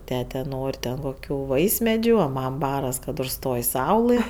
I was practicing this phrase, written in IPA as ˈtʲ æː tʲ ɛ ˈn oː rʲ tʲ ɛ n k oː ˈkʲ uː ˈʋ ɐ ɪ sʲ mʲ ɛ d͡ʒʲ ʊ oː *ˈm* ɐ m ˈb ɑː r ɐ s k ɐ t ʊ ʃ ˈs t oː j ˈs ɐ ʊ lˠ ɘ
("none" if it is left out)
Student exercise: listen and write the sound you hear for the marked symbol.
m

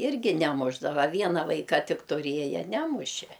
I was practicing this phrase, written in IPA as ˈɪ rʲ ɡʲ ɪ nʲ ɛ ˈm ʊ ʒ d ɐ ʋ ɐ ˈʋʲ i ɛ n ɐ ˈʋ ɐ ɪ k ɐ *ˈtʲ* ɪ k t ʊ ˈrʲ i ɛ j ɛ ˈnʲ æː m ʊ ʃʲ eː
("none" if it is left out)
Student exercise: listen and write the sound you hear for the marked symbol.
tʲ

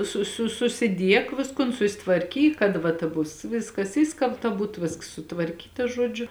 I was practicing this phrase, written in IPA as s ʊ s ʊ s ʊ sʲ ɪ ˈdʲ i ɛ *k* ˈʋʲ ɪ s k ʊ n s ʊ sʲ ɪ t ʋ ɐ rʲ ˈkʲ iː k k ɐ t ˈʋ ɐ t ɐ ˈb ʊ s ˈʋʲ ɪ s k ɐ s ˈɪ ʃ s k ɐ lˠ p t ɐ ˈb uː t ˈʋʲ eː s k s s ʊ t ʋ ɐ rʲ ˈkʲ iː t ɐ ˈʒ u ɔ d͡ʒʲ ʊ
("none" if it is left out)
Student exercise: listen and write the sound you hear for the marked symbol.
k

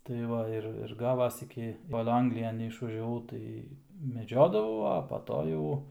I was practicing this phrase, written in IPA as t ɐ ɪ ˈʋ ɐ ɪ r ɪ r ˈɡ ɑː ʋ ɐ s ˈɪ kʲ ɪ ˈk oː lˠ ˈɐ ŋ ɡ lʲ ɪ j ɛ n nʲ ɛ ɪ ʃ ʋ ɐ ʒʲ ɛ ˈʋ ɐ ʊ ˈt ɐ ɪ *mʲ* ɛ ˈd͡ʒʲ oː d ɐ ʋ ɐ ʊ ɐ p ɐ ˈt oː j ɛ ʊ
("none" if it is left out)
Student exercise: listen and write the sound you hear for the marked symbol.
mʲ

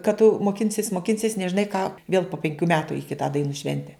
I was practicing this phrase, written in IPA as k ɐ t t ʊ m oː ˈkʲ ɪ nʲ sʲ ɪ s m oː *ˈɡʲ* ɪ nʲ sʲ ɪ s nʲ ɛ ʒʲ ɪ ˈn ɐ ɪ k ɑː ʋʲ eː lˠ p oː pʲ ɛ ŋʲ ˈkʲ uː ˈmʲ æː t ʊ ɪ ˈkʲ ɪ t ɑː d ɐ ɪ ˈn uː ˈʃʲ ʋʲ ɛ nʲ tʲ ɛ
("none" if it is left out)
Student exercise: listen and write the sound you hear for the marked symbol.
kʲ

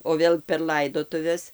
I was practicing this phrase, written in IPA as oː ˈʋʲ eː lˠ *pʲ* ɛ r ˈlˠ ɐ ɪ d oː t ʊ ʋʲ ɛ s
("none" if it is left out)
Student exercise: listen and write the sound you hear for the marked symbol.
pʲ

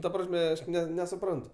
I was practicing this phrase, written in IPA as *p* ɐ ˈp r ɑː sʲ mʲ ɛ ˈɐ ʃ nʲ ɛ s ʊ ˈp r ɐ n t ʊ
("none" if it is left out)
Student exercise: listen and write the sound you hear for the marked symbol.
t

